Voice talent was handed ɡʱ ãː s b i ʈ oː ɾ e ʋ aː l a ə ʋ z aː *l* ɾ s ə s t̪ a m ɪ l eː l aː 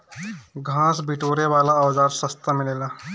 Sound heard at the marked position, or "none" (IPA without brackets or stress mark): none